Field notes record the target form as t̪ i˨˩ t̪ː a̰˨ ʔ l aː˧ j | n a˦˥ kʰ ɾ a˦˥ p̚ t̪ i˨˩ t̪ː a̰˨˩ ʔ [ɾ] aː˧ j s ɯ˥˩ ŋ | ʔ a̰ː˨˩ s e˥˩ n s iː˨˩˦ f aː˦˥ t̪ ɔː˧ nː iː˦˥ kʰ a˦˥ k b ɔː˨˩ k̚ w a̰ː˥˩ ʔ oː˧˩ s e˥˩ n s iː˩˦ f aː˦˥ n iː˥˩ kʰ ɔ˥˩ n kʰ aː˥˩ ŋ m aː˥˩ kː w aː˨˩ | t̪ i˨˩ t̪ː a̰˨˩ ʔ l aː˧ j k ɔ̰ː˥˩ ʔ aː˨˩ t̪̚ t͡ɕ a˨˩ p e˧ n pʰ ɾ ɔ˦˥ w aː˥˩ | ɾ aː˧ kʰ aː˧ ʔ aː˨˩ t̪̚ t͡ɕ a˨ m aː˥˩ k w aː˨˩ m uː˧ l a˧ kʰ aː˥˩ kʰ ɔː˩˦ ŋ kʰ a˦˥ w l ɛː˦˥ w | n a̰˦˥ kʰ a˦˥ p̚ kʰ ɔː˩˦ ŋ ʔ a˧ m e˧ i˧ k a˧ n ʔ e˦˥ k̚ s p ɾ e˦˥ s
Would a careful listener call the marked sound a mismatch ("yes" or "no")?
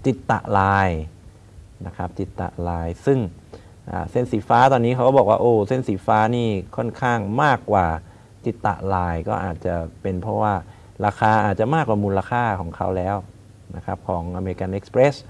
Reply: yes